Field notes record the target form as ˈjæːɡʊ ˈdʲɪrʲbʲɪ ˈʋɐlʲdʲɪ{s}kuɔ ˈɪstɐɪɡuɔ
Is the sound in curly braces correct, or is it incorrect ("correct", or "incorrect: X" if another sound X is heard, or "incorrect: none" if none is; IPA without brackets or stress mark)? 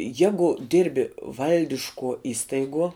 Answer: incorrect: ʃ